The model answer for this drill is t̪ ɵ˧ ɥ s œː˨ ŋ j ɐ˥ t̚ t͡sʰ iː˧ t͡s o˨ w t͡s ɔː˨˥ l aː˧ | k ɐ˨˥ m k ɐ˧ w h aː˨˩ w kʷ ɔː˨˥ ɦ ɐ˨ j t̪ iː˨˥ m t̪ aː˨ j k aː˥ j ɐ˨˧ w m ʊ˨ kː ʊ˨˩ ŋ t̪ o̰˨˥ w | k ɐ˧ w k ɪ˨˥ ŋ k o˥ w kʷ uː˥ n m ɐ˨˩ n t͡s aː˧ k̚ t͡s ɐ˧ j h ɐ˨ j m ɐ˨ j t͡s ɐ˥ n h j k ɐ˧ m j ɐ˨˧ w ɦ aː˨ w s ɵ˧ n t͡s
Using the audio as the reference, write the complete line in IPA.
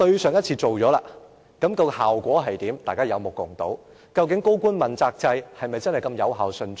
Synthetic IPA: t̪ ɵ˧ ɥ s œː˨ ŋ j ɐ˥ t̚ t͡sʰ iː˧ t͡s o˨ w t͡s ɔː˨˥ l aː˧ | k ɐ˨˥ m k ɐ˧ w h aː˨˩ w kʷ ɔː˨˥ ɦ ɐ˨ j t̪ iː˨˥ m t̪ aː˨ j k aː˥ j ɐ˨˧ w m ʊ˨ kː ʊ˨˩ ŋ t̪ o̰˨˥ w | k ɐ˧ w k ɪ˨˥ ŋ k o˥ w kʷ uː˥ n m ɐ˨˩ n t͡s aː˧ k̚ t͡s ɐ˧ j h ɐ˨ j m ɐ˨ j t͡s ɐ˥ n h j k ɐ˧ m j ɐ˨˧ w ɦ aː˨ w s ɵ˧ n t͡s